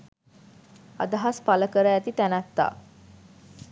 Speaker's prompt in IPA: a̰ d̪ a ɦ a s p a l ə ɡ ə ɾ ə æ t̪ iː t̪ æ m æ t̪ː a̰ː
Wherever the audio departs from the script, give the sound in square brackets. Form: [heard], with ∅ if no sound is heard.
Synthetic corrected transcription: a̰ d̪ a ɦ a s p a l ə [k] ə ɾ ə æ t̪ [i] t̪ æ [n] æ t̪ː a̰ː